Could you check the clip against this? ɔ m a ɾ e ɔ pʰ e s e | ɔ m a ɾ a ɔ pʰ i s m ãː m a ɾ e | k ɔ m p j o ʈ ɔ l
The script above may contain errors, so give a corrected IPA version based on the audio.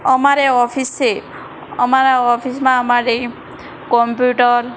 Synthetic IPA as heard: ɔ m a ɾ e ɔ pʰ i s e | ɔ m a ɾ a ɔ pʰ i s m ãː m a ɾ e | k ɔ m p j u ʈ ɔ ɾ